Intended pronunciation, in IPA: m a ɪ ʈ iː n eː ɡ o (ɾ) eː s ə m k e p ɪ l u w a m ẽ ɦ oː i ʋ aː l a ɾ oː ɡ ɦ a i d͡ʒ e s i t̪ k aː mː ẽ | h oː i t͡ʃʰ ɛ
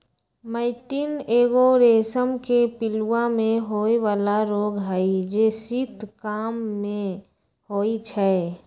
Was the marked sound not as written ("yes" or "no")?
no